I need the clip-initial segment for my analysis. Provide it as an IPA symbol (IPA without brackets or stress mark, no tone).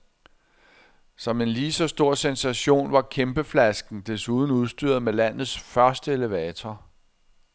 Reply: s